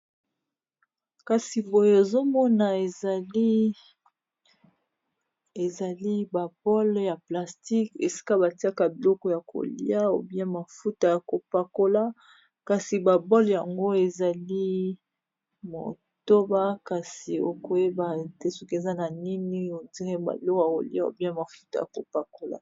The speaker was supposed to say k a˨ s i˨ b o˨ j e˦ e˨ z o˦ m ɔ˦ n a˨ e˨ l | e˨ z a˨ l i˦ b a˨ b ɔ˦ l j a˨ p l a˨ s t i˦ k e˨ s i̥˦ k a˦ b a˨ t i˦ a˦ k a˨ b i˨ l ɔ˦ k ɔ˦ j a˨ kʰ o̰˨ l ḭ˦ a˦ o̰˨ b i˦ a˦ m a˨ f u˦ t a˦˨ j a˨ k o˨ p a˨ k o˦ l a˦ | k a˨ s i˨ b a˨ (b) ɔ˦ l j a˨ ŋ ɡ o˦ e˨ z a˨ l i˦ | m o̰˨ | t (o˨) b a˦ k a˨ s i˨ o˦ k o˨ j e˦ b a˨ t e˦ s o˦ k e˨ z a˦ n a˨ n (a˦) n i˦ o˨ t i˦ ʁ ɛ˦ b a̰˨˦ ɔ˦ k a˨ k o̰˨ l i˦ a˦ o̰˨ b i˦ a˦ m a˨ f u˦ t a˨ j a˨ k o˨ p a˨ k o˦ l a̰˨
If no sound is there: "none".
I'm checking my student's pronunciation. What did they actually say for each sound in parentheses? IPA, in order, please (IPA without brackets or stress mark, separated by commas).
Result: b, o˦, i˦